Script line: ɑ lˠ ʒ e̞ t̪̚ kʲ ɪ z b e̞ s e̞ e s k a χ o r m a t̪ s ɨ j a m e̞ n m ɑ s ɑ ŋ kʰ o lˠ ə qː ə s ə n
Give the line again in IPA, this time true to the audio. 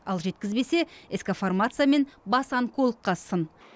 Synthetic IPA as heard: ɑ lˠ ʒ e̞ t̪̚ kʲ ɪ z b e̞ s e̞ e s k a f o r m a t̪ s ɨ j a m e̞ n b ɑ s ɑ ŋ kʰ o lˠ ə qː ɑ s ə n

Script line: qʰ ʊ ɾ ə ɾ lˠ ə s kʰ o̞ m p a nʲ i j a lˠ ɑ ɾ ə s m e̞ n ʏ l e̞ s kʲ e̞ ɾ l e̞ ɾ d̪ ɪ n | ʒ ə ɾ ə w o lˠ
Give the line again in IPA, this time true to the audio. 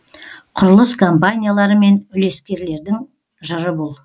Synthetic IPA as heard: qʰ ʊ ɾ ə lˠ ə s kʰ o̞ m p a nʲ i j a lˠ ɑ ɾ ə m e̞ n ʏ l e̞ s kʲ e̞ ɾ l e̞ ɾ d̪ ɪ ŋ | ʒ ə ɾ ə b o lˠ

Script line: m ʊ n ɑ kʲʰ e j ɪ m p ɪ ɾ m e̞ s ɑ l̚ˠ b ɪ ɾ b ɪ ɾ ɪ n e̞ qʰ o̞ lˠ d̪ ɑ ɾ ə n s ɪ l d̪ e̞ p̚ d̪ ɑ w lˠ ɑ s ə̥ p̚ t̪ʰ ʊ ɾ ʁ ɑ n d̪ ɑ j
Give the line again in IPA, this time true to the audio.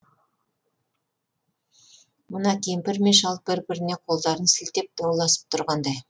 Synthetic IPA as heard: m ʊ n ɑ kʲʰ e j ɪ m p ɪ ɾ m e̞ ʃ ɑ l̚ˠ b ɪ ɾ b ɪ ɾ ɪ n e̞ qʰ o̞ lˠ d̪ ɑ ɾ ə n s ɪ l t̪ e̞ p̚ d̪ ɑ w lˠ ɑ s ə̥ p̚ t̪ʰ ʊ ɾ ʁ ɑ n d̪ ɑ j

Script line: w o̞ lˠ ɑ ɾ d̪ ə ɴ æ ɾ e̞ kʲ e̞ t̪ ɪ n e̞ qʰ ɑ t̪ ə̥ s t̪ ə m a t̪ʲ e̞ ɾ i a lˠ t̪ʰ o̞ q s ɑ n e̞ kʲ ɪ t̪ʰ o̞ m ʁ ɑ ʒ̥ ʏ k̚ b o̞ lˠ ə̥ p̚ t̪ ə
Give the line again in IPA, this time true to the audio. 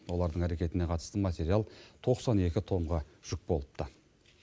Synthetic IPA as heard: w o̞ lˠ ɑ ɾ d̪ ə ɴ æ ɾ e̞ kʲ e̞ t̪ ɪ n e̞ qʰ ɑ t̪ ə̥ s t̪ ə m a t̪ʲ e̞ ɾ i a lˠ t̪ʰ o̞ q s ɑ n e̞ kʲ ɪ t̪ʰ o̞ m ʁ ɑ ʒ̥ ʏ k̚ b o̞ lˠ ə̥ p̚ t̪ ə

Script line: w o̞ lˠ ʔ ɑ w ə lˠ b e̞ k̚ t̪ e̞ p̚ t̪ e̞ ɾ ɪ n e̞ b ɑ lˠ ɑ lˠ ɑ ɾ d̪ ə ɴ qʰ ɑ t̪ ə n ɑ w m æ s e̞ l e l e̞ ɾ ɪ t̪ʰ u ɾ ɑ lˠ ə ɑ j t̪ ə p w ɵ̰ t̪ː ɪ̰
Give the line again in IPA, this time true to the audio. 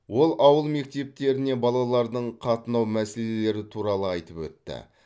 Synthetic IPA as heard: w o̞ lˠ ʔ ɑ w ə lˠ m e̞ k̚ t̪ e̞ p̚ t̪ e̞ ɾ ɪ n e̞ b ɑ lˠ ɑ lˠ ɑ ɾ d̪ ə ɴ qʰ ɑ t̪ ə n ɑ w m æ s e̞ l e l e̞ ɾ ɪ t̪ʰ u ɾ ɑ lˠ ə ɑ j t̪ ə p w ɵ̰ t̪ː ɪ̰

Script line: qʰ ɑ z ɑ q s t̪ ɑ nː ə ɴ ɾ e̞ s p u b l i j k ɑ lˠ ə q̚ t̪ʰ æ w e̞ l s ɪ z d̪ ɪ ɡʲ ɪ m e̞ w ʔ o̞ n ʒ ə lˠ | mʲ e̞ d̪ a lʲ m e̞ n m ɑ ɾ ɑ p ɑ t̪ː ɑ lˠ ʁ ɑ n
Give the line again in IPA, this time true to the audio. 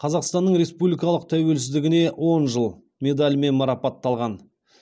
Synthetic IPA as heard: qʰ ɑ z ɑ q s t̪ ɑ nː ə ɴ ɾ e̞ s p u b l i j k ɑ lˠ ə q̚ t̪ʰ æ w e̞ l s ɪ z d̪ ɪ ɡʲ ɪ n e̞ w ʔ o̞ n ʒ ə lˠ | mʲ e̞ d̪ a lʲ m e̞ n m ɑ ɾ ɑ p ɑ t̪ː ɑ lˠ ʁ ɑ n

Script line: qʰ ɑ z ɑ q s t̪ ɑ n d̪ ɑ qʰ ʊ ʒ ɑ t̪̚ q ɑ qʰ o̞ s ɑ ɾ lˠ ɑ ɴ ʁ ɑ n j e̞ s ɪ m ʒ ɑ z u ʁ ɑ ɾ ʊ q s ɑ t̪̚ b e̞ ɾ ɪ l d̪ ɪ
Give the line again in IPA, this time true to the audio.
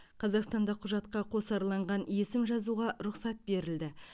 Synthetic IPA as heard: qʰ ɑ z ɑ q s t̪ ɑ n d̪ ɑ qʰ ʊ ʒ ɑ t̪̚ q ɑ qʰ o̞ s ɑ ɾ lˠ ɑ ɴ ʁ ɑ n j e̞ s ɪ m ʒ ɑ z u ʁ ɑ ɾ ʊ q s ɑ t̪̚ b e̞ ɾ ɪ l d̪ ɪ

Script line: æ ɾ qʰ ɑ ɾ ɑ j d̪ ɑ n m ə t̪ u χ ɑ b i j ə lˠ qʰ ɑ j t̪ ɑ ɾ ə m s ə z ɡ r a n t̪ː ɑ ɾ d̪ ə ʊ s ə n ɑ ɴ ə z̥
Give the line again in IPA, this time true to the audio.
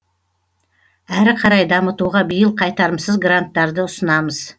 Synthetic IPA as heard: æ ɾ qʰ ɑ ɾ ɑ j d̪ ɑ m ə t̪ u ʁ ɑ b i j ə lˠ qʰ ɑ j t̪ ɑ ɾ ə m s ə z ɡ r a n t̪ː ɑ ɾ d̪ ə ʊ s ə n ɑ m ə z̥

